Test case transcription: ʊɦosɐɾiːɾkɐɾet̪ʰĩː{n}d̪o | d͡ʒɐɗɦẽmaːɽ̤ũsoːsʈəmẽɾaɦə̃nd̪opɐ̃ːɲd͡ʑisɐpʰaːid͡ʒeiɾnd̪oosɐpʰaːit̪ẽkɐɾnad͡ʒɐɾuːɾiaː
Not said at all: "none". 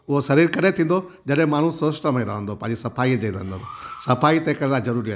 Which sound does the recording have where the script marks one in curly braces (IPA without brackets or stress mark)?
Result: n